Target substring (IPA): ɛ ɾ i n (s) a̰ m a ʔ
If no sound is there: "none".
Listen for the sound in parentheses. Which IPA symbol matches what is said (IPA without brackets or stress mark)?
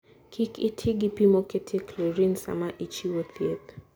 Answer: s